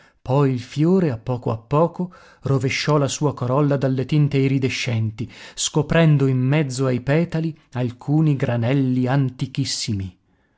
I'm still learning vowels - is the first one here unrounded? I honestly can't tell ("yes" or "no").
no